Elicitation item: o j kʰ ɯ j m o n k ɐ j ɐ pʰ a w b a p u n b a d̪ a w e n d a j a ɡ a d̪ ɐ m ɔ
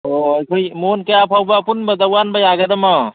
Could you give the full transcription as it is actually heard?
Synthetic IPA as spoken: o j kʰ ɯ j m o n k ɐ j a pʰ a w b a p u n b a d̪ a w a n b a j a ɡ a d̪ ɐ m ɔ